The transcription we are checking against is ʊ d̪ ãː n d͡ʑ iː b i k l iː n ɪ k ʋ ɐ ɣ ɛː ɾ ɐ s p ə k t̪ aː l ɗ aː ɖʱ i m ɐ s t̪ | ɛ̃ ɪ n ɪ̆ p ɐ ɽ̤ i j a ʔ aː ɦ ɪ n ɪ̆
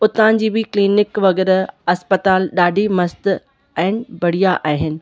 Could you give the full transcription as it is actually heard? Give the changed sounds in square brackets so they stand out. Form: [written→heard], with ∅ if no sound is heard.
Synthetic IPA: ʊ [d̪→t̪] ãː n d͡ʑ iː b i k l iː n ɪ k ʋ ɐ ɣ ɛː ɾ ɐ s p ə [k→∅] t̪ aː l ɗ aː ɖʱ i m ɐ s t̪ | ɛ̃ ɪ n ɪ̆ [p→b] ɐ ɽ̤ i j a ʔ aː ɦ ɪ n ɪ̆